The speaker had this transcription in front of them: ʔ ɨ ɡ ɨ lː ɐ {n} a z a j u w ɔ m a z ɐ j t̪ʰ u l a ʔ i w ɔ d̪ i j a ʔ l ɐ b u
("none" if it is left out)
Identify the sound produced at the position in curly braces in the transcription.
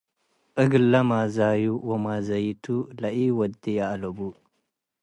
m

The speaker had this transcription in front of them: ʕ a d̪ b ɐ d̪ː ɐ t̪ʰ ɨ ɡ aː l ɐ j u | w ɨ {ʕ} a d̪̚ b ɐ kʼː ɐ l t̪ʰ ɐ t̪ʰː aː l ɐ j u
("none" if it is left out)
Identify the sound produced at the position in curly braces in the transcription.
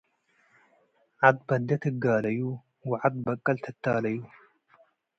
ʕ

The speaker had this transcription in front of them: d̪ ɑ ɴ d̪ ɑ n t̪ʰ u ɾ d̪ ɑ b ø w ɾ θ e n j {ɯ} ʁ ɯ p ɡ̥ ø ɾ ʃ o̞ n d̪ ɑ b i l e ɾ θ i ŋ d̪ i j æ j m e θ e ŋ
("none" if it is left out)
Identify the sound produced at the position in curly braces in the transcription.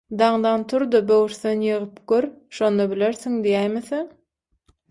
ɯ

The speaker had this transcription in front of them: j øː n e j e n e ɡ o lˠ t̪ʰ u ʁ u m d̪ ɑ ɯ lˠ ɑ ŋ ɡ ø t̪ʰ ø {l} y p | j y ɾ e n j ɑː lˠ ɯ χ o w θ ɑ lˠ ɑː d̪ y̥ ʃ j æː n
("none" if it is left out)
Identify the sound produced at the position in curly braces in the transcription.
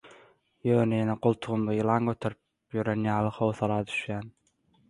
ɾ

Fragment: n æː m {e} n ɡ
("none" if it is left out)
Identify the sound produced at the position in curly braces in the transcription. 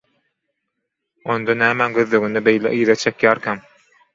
æ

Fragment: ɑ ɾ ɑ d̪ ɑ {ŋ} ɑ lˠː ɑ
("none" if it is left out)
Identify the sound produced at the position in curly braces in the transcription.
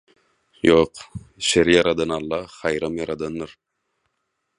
n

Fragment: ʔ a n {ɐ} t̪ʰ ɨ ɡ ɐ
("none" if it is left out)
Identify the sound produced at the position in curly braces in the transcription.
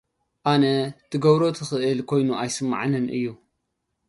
ɐ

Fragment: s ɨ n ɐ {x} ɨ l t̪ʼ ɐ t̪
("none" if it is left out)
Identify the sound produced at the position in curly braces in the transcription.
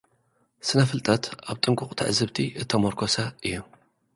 f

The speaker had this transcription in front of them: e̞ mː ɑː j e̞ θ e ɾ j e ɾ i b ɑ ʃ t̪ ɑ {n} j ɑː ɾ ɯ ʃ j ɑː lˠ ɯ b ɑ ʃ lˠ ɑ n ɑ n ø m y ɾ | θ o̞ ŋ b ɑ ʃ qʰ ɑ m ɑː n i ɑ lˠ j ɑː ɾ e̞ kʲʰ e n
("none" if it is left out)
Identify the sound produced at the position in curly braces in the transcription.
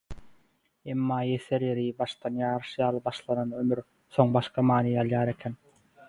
n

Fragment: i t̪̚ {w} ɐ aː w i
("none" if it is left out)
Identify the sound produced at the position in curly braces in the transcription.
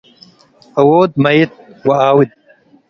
w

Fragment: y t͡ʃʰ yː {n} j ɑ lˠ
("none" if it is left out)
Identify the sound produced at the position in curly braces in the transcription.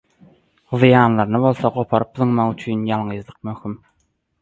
n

